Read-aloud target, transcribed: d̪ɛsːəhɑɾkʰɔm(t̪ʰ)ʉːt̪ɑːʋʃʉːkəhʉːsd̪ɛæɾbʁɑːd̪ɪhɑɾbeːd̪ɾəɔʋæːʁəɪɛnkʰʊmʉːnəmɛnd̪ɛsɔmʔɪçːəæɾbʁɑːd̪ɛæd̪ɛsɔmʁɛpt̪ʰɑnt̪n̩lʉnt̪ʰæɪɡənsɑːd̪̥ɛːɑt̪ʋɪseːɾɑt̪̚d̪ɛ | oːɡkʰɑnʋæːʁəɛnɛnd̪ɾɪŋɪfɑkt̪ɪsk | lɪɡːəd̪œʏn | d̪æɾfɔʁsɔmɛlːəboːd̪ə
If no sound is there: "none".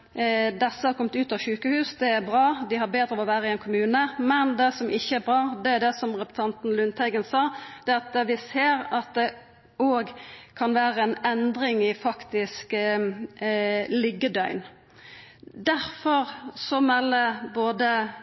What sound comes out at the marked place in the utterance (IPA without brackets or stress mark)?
t̪